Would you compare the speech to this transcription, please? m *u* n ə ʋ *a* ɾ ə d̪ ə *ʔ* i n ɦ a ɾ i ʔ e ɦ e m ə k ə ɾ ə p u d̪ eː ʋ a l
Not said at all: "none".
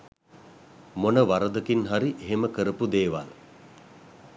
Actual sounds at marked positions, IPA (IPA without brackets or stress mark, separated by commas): o, a, k